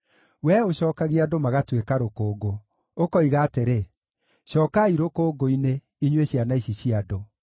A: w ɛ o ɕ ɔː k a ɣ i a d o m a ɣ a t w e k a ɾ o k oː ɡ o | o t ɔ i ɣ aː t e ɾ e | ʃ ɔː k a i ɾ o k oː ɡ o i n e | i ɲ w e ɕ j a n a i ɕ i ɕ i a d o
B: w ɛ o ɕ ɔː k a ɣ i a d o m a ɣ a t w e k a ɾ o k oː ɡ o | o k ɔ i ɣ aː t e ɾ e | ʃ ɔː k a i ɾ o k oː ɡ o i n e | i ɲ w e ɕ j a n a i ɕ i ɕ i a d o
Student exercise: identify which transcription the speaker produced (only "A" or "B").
B